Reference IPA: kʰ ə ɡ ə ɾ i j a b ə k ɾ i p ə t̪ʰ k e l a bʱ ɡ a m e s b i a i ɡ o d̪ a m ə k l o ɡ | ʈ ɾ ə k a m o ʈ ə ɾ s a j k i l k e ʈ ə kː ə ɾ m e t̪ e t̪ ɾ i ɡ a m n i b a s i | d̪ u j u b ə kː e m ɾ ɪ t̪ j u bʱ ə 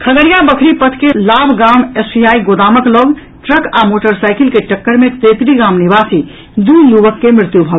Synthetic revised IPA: kʰ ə ɡ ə ɾ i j a b ə kʰ ɾ i p ə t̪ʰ k e l a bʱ ɡ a m e s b i a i ɡ o d̪ a m ə k l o ɡ | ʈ ɾ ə k a m o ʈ ə ɾ s a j k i l k e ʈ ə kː ə ɾ m e t̪ e t̪ ɾ i ɡ a m n i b a s i | d̪ u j u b ə kː e m ɾ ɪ t̪ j u bʱ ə